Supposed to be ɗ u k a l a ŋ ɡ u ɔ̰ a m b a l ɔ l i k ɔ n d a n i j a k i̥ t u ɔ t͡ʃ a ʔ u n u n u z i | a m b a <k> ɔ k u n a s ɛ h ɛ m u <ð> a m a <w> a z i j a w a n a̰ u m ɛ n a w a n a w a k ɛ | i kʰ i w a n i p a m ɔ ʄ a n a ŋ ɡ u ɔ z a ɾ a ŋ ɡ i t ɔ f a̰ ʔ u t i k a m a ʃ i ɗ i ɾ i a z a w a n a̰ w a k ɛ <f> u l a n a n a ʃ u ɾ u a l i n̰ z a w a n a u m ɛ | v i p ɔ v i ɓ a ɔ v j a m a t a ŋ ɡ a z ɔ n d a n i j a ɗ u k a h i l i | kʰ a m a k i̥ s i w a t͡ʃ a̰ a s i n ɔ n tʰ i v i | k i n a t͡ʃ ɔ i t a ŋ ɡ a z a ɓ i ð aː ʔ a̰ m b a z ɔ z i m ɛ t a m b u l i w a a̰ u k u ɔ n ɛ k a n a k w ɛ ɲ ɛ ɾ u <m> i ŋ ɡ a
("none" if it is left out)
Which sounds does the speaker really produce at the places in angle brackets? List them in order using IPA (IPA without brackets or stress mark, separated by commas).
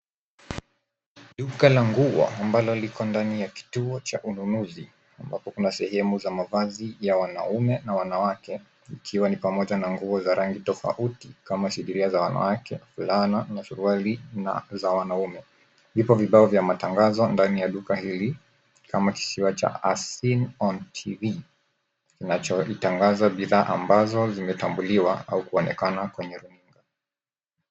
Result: p, z, v, f, n